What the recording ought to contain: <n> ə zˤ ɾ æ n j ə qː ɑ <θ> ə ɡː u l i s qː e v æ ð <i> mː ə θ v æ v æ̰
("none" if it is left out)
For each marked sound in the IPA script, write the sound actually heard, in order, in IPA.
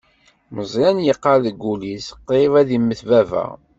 m, ð, i

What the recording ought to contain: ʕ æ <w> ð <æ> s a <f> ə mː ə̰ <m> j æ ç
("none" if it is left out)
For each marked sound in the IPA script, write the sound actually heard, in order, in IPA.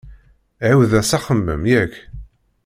w, æ, χ, m

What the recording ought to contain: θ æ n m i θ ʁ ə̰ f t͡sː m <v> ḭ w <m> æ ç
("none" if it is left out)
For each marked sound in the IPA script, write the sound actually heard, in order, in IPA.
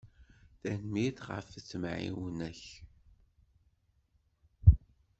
ʕ, n

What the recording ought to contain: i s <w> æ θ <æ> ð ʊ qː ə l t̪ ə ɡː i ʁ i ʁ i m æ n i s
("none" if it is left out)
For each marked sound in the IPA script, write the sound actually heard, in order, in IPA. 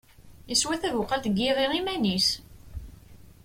w, æ

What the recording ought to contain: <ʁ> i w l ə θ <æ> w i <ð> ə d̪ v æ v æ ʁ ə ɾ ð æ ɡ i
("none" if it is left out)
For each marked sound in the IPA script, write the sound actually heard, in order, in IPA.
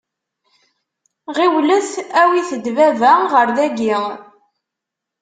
ʁ, æ, θ

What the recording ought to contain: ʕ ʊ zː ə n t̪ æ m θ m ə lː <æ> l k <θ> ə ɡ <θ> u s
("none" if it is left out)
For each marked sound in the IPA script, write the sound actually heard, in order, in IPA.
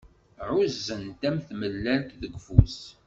æ, ð, f

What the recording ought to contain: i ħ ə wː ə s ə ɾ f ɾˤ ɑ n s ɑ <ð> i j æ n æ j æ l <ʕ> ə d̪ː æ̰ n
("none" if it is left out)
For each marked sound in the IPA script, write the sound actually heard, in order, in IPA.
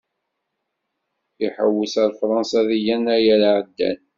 ð, ʕ

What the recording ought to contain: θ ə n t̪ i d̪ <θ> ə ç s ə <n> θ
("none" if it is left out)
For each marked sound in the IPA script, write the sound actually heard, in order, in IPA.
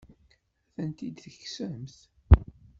θ, m

